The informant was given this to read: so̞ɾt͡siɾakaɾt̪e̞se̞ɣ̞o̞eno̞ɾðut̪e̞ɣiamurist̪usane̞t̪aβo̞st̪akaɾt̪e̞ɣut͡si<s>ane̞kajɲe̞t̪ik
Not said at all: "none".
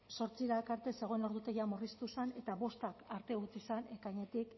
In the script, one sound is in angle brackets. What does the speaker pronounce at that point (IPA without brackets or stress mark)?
s